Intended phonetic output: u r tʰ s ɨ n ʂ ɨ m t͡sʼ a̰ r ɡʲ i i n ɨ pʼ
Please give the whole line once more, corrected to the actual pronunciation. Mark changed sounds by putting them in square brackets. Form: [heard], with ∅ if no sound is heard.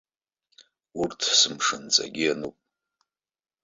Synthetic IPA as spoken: u r tʰ s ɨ [m] ʂ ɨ [n] t͡sʼ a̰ [∅] ɡʲ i [a] n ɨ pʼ